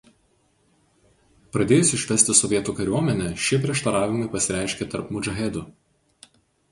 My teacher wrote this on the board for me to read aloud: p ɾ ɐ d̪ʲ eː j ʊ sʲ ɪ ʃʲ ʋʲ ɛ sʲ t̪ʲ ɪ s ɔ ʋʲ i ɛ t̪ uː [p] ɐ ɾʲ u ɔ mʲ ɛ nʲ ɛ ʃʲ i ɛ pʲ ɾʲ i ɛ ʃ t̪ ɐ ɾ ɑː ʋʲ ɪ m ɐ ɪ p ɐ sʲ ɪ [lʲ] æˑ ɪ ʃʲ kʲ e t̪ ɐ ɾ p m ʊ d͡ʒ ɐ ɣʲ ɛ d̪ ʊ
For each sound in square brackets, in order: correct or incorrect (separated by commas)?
incorrect, incorrect